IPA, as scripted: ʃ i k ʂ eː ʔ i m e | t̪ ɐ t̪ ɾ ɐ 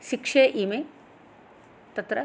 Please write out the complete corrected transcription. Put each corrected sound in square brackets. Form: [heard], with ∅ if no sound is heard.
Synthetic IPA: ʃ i k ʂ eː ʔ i m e | t̪ ɐ t̪ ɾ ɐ